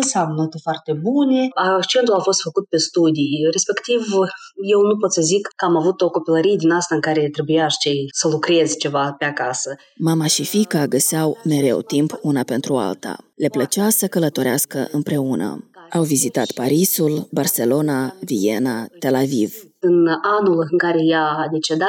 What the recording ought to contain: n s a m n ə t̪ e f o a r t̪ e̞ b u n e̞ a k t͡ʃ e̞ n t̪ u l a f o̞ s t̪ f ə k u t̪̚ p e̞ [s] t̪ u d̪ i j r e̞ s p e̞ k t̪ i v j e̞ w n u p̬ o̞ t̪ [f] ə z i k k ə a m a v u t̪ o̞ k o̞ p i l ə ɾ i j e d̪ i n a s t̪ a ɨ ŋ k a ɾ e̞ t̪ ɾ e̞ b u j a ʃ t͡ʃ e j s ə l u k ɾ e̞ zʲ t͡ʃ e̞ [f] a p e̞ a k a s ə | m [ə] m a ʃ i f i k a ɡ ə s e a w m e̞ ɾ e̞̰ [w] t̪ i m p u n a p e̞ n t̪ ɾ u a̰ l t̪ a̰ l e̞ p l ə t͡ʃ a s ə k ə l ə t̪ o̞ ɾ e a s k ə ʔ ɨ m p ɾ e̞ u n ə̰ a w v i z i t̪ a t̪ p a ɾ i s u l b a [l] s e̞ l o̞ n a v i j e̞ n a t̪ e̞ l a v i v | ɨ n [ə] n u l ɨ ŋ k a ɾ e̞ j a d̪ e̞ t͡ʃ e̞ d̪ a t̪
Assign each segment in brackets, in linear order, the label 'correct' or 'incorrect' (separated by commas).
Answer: correct, incorrect, incorrect, incorrect, correct, incorrect, incorrect